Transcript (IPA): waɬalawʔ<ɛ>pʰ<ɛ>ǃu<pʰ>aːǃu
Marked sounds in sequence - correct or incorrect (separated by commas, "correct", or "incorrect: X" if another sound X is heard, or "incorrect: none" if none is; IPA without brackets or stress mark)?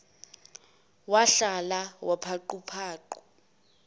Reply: incorrect: a, incorrect: a, correct